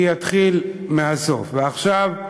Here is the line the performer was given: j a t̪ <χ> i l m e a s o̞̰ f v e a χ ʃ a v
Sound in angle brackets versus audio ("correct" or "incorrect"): correct